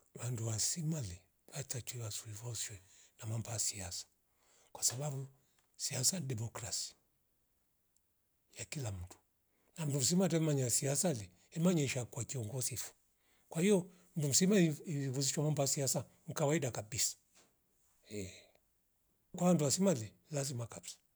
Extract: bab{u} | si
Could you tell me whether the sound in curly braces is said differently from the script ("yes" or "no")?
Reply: no